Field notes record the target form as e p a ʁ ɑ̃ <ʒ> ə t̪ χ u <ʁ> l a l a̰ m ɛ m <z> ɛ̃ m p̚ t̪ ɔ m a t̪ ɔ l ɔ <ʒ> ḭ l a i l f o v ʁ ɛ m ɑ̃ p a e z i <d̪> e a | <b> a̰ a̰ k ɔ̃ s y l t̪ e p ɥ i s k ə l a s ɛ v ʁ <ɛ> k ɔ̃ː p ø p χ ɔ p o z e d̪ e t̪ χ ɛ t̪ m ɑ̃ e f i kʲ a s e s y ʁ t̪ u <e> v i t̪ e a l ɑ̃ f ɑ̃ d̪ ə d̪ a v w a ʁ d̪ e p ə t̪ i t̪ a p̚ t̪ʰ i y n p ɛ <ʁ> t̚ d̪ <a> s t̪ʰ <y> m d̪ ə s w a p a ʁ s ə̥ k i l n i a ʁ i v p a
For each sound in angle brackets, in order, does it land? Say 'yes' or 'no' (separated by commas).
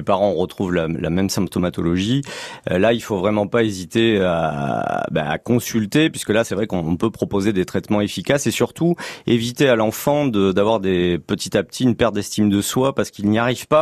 no, no, no, yes, no, yes, yes, yes, yes, no, no